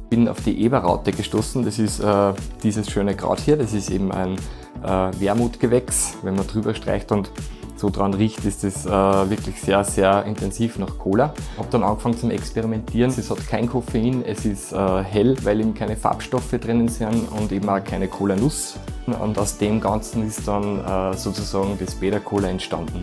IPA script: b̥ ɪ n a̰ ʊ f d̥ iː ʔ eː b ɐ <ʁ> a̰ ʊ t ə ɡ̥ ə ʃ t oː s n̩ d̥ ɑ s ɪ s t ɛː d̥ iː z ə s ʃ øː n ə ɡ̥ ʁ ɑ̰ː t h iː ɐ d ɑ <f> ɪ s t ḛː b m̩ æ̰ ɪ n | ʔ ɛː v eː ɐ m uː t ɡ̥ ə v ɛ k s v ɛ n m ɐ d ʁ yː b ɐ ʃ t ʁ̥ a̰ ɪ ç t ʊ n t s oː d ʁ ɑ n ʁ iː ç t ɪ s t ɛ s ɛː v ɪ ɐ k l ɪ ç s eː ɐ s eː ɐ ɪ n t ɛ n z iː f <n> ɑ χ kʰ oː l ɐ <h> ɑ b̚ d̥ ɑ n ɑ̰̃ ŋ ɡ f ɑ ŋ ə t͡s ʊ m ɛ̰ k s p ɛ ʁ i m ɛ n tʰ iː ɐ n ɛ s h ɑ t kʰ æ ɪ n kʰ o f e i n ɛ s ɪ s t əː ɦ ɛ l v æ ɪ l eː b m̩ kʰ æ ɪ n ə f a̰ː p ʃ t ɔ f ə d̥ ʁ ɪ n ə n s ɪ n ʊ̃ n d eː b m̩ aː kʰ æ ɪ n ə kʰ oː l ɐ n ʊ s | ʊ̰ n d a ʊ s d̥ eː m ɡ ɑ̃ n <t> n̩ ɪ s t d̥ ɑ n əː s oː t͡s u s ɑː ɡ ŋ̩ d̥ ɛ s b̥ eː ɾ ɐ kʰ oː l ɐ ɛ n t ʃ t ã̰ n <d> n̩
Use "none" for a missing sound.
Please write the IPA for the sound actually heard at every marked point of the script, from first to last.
ʁ, s, n, h, t͡s, d

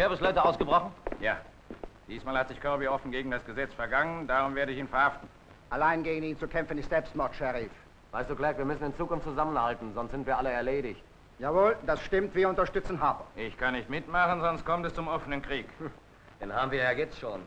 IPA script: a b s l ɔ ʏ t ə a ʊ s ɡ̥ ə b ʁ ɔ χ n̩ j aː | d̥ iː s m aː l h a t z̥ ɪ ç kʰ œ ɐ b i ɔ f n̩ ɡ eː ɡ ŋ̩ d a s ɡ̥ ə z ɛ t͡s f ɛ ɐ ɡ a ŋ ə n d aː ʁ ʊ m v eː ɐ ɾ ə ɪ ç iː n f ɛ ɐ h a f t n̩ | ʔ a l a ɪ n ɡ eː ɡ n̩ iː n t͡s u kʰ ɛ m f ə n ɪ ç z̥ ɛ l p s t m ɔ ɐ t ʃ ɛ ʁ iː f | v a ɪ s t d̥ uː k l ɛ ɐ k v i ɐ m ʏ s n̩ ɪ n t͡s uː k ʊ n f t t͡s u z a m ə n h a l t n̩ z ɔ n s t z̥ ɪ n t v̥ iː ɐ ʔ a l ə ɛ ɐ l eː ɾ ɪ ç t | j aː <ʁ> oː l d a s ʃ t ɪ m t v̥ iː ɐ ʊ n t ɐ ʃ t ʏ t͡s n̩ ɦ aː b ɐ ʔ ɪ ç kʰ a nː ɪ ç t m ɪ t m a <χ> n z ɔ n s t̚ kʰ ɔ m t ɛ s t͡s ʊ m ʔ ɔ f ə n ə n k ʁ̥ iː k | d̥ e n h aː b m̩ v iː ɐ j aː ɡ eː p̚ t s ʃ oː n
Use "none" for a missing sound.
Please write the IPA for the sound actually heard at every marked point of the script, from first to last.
v, χ

